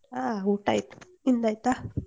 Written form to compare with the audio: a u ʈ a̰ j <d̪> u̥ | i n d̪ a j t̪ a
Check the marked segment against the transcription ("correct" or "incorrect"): incorrect